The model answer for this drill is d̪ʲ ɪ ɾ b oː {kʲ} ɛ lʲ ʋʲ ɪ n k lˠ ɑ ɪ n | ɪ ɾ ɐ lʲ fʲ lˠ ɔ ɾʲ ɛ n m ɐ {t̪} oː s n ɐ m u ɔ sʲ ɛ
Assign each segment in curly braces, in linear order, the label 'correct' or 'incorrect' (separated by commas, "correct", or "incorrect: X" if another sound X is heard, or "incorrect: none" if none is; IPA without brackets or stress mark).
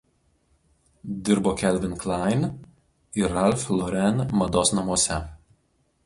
correct, incorrect: d̪